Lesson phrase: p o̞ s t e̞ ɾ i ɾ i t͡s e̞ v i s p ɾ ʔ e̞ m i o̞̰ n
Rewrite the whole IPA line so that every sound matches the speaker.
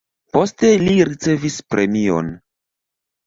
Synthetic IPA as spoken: p o̞ s t e̞ l i ɾ i t͡s e̞ v i s p ɾ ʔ e̞ m i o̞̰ n